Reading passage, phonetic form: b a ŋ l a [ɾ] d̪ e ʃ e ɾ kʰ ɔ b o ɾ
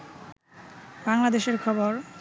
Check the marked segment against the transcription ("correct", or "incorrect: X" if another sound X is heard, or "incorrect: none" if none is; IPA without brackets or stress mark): incorrect: none